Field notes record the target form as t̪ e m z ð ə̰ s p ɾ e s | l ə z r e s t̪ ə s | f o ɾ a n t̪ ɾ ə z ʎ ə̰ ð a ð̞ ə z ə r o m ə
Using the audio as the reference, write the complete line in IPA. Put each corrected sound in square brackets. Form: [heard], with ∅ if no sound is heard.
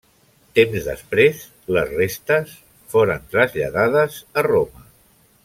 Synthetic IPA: t̪ e m z ð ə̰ s p ɾ e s | l ə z r e s t̪ ə s | f o ɾ [ə] n t̪ ɾ ə z ʎ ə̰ ð a ð̞ ə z ə r o m ə